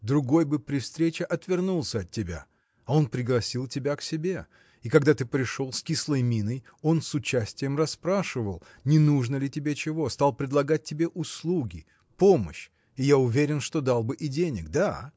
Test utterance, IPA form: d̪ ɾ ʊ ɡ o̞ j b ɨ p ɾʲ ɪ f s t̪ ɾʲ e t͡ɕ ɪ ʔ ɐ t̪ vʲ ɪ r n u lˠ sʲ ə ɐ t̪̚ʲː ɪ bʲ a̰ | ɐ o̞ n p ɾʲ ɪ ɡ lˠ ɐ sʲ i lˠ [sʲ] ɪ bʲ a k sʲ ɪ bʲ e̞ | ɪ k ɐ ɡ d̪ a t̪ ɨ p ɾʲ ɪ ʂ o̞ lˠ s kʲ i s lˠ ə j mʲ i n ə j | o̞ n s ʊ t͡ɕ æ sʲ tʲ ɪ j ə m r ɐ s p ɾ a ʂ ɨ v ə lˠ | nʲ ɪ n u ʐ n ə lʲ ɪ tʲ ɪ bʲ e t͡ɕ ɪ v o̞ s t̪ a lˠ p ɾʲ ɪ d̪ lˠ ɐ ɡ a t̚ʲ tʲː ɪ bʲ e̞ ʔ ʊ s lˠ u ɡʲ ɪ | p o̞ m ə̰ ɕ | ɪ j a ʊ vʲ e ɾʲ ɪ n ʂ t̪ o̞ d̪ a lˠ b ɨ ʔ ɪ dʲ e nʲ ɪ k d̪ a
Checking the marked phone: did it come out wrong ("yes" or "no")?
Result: yes